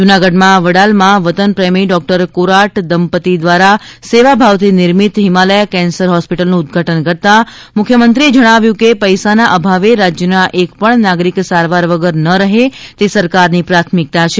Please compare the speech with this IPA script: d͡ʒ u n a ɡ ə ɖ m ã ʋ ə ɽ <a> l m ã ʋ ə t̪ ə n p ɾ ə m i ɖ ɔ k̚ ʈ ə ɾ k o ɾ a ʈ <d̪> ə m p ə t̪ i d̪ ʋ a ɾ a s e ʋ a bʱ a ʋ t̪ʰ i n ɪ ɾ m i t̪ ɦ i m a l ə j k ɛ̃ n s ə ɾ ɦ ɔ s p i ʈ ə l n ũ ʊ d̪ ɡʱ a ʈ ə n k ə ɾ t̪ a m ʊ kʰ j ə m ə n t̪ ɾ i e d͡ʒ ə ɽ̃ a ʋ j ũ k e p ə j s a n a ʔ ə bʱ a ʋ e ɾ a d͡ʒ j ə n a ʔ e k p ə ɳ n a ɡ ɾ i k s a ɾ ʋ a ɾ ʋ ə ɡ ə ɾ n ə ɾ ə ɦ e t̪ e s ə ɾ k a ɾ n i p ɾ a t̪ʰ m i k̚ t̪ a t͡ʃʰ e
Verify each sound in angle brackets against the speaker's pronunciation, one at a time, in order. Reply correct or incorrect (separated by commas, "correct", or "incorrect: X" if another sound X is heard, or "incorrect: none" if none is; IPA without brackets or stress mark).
correct, correct